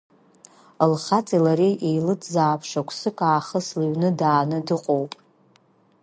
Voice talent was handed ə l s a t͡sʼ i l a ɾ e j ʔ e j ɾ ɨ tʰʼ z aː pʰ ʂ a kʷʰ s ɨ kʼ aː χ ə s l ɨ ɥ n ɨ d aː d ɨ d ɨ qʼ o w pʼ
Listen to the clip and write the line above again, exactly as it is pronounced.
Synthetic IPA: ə l χ a t͡sʼ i l a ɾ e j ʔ e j l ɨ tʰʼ z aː pʰ ʂ a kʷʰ s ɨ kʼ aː χ ə s l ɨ ɥ n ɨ d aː n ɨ d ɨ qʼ o w pʼ